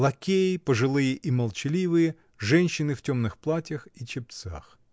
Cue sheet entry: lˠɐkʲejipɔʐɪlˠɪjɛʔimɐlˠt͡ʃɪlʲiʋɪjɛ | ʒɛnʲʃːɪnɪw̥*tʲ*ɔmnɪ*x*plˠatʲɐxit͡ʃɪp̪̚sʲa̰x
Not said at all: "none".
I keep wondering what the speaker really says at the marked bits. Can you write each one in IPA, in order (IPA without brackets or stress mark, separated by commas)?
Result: tʲ, x